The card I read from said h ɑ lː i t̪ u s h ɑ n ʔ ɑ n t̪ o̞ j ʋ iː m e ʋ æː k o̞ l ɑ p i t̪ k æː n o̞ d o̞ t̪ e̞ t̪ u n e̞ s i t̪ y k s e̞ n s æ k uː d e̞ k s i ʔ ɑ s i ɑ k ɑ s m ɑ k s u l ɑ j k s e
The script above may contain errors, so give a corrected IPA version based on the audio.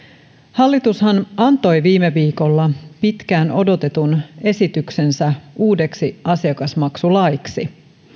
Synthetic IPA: h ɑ lː i t̪ u s h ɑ n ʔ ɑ n t̪ o̞ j ʋ iː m e ʋ iː k o̞ lː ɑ p i t̪ k æː n o̞ d o̞ t̪ e̞ t̪ u n e̞ s i t̪ y k s e̞ n s æ uː d e̞ k s i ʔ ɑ s i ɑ k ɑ s m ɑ k s u l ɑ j k s i